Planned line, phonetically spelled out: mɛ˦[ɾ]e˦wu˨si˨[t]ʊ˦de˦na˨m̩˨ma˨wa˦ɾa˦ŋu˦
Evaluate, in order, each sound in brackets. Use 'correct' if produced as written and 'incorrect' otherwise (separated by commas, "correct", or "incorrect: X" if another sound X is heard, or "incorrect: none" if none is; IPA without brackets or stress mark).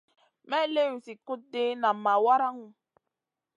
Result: incorrect: l, incorrect: k